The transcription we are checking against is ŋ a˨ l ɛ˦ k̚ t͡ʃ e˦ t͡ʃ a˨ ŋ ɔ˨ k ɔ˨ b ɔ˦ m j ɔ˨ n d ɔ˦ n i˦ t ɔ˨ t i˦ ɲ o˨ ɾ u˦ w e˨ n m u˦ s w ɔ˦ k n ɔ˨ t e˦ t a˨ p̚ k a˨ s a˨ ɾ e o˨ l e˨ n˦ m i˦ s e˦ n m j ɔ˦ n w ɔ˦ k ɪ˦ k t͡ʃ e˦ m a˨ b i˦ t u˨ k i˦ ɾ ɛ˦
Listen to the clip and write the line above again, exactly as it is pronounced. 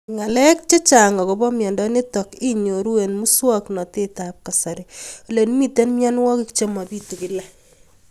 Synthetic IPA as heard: ŋ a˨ l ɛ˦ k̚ t͡ʃ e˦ t͡ʃ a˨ ŋ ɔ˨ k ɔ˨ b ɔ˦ m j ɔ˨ n d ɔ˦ n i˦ t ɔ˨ k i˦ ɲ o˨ ɾ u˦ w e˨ n m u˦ s w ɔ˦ k n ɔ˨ t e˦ t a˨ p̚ k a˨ s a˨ ɾ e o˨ l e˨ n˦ m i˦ t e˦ n m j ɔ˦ n w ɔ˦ k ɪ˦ k t͡ʃ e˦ m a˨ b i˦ t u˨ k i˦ l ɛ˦